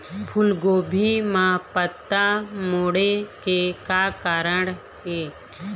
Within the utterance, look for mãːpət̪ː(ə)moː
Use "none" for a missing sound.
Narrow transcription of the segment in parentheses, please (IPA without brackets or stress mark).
a